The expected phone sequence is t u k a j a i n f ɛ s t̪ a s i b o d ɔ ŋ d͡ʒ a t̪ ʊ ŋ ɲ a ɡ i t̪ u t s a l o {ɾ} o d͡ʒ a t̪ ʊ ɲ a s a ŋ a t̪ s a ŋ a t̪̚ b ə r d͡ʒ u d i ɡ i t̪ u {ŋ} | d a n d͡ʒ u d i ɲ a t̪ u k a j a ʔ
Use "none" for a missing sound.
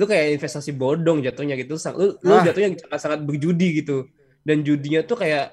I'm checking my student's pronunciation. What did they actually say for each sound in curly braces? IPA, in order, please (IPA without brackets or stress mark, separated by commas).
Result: l, none